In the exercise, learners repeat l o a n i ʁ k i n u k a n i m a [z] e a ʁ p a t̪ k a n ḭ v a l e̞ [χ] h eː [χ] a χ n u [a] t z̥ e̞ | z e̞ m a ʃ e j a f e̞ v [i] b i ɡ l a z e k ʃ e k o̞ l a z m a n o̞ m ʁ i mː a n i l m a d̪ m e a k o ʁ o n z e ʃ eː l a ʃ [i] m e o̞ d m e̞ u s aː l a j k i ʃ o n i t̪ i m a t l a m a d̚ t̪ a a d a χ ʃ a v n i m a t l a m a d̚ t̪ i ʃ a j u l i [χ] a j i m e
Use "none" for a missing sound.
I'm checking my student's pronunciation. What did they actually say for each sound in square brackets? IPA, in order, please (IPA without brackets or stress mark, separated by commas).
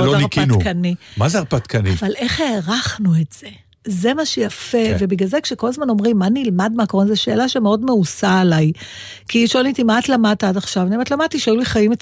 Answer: z, χ, ʁ, e, e, e, χ